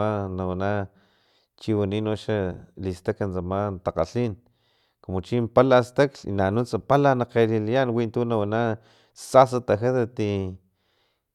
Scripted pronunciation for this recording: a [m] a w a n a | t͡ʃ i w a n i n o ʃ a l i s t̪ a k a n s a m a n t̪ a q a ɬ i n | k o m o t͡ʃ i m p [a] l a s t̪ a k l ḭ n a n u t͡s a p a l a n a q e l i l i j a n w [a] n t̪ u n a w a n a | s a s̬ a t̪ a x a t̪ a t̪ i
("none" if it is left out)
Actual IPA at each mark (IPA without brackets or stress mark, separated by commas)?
n, a, i